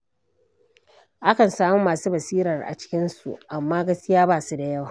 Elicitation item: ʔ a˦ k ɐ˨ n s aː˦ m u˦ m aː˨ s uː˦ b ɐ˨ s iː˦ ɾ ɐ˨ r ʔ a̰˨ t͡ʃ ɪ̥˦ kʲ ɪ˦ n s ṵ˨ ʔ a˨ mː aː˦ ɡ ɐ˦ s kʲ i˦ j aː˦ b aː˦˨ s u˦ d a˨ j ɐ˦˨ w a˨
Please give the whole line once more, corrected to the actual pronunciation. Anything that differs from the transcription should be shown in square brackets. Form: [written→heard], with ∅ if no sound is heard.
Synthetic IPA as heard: ʔ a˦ k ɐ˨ n s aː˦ m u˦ m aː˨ s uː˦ b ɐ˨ s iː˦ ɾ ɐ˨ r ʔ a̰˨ t͡ʃ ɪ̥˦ kʲ ɪ˦ n s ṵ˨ ʔ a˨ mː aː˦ ɡ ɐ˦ s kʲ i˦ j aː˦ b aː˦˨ s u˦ d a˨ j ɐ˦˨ w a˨